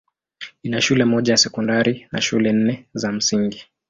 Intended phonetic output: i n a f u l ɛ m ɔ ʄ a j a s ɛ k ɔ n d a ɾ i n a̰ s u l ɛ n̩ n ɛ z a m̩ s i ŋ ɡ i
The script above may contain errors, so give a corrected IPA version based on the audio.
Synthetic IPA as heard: i n a ʃ u l ɛ m ɔ ʄ a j a s ɛ k ɔ n d a ɾ i n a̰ ʃ u l ɛ n̩ n ɛ z a m̩ s i ŋ ɡ i